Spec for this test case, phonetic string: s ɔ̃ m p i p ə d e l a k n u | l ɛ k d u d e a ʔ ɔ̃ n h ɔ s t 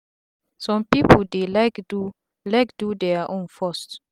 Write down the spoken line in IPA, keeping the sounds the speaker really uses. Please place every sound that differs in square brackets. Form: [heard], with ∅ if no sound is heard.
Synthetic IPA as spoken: s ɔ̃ m p i p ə d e l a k [d] u | l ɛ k d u d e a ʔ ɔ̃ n [f] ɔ s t